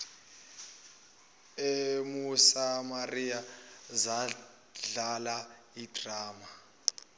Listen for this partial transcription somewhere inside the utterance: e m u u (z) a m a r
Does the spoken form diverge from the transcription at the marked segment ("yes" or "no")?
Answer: yes